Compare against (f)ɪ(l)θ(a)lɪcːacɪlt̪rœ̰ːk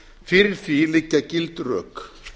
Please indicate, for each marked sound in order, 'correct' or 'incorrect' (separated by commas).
correct, incorrect, incorrect